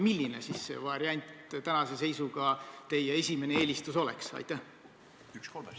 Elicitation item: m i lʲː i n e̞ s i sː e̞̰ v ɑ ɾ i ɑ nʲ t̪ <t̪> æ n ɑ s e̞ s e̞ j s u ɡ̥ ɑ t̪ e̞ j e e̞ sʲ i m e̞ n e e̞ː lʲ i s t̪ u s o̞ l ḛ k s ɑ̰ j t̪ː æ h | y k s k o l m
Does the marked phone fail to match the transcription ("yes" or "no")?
no